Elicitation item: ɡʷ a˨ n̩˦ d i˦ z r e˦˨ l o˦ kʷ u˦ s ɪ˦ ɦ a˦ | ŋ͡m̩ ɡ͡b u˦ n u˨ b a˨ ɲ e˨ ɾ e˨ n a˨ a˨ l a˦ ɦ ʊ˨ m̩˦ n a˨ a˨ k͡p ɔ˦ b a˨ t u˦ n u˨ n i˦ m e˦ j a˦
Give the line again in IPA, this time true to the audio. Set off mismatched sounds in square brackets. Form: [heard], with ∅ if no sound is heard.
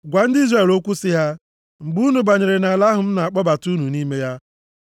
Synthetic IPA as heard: ɡʷ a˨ n̩˦ d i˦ z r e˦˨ l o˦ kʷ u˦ s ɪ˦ ɦ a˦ | ŋ͡m̩ ɡ͡b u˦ n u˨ b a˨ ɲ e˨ ɾ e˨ n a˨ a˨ l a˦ ɦ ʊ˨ m̩˦ n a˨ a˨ k͡p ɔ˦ b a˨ t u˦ n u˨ n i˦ m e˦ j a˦

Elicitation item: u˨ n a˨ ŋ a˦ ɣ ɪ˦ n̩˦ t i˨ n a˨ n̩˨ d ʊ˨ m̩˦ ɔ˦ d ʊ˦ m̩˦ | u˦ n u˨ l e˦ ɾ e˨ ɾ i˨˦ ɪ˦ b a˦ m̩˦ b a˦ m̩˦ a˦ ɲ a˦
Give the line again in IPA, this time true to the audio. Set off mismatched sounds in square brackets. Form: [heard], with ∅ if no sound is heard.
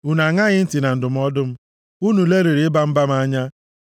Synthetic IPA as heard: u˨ n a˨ ŋ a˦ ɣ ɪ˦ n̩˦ t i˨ n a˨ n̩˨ d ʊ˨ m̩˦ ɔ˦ d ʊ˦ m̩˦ | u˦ n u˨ l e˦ ɾ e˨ ɾ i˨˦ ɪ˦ b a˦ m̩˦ b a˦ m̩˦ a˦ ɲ a˦

